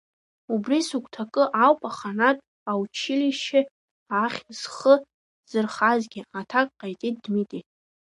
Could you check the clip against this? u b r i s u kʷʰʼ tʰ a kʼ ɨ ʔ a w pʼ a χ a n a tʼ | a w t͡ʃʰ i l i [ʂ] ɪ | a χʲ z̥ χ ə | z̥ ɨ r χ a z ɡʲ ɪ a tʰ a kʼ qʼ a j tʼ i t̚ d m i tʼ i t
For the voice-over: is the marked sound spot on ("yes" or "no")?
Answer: no